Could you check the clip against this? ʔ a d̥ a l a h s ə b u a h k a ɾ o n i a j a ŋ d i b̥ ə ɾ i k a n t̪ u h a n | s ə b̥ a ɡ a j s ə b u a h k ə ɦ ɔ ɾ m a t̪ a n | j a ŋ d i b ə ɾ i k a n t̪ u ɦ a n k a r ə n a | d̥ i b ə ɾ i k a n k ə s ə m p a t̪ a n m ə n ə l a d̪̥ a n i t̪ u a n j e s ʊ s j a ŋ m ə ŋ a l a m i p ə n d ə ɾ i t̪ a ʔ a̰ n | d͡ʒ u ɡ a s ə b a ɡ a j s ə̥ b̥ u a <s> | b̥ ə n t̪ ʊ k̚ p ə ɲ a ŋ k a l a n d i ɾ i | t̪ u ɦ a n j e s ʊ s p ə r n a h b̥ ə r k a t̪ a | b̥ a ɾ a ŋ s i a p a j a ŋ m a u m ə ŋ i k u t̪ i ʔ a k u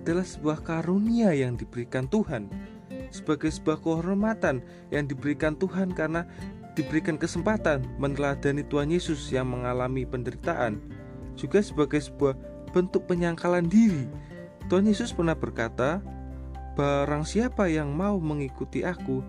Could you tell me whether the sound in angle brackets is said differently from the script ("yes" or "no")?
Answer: yes